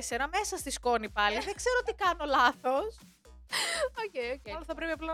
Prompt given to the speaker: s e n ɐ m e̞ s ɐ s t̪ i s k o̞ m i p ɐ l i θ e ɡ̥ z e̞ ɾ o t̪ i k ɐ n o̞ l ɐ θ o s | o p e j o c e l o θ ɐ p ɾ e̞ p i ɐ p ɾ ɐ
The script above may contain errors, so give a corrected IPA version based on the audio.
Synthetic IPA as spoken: s e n ɐ m e̞ s ɐ s t̪ i s k o̞ n i p ɐ l i ð e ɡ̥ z e̞ ɾ o t̪ i k ɐ n o̞ l ɐ θ o s | o c e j o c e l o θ ɐ p ɾ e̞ p i ɐ p l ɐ